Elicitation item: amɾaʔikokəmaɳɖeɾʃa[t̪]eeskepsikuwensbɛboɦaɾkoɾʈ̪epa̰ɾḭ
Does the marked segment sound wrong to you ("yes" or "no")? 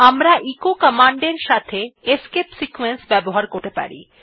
yes